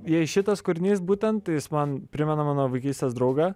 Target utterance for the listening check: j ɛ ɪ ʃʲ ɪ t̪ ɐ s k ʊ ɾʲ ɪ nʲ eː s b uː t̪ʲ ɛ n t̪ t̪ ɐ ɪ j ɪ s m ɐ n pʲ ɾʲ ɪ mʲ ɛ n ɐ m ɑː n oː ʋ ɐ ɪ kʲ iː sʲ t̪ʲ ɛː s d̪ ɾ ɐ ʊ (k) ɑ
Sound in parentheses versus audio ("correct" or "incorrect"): incorrect